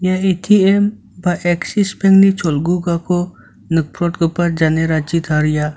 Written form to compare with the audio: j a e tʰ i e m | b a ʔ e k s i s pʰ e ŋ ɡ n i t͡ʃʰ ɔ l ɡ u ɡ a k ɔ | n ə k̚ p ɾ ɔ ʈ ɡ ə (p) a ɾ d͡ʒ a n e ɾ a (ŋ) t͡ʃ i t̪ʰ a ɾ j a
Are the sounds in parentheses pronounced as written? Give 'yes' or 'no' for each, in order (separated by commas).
yes, no